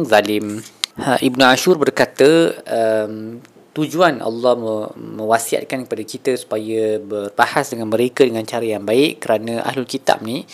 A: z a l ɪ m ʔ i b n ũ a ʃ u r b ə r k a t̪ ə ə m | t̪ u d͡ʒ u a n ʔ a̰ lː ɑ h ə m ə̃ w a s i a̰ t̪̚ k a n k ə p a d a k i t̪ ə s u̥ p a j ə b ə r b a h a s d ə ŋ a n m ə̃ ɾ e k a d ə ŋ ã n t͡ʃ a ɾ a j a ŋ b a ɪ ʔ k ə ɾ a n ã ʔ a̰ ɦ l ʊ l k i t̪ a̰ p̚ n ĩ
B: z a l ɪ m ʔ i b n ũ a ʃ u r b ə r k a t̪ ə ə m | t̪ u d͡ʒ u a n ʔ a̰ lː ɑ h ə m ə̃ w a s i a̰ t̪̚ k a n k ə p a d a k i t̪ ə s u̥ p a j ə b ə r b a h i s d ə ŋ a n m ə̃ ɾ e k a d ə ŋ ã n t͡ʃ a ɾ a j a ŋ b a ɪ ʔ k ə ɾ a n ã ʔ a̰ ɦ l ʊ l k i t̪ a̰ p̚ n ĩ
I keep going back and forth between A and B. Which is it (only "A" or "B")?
A